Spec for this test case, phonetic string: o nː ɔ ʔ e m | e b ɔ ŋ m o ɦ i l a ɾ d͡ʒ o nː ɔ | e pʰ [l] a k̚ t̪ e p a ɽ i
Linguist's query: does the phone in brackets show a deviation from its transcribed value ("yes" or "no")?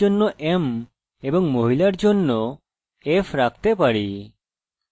yes